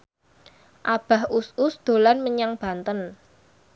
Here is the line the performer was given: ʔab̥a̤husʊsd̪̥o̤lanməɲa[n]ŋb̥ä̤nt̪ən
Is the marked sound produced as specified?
no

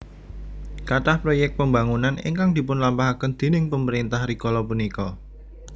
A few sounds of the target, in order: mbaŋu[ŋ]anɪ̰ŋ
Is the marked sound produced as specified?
no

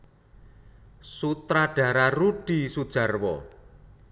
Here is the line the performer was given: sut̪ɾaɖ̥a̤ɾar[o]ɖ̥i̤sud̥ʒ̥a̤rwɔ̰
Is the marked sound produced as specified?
no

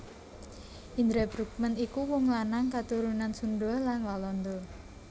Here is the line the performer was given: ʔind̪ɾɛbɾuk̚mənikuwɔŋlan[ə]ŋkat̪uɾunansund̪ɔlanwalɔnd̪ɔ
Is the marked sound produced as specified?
no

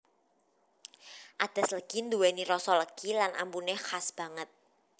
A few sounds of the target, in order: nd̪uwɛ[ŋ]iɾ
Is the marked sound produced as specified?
no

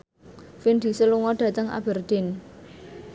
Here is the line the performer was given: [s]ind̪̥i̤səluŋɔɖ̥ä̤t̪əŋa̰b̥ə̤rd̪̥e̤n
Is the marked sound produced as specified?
no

